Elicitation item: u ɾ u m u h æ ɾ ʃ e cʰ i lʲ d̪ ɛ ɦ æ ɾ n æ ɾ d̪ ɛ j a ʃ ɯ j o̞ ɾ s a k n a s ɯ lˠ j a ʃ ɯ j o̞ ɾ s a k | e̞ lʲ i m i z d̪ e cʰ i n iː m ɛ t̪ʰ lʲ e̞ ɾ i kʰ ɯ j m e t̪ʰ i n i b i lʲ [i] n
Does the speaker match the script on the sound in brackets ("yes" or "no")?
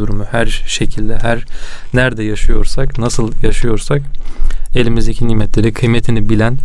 no